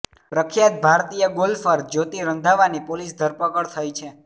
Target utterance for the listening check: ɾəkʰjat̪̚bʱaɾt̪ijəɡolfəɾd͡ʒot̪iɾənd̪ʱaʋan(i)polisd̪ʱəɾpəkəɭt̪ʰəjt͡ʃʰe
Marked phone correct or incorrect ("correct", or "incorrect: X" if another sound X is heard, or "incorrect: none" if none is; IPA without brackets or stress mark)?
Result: correct